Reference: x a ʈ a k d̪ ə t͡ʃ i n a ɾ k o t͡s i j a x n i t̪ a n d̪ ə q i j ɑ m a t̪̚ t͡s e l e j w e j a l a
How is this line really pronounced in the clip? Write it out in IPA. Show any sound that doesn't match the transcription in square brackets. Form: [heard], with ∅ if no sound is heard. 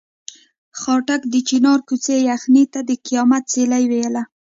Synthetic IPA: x [ɑ] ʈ a k d̪ ə t͡ʃ i n [ɑ] ɾ k [u] t͡s [e] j a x n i t̪ a [∅] d̪ ə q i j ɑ m a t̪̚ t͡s e l [a] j w e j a l a